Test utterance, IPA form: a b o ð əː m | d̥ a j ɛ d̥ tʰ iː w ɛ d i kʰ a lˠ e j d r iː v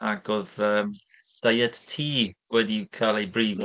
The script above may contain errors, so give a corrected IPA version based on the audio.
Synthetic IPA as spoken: a ɡ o ð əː m | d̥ a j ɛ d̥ tʰ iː w ɛ d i kʰ a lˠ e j b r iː v